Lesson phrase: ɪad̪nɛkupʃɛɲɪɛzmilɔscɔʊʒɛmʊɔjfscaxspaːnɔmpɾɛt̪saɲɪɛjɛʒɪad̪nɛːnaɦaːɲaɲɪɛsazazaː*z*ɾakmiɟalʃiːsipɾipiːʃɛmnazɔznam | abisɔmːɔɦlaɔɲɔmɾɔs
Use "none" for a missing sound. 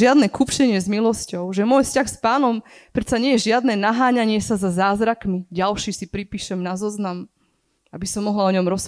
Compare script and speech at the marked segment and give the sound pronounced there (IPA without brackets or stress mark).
z